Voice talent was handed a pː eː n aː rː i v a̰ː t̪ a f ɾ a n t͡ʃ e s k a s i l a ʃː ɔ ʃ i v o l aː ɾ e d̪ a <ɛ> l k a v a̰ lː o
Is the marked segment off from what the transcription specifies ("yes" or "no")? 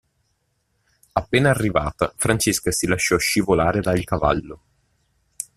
yes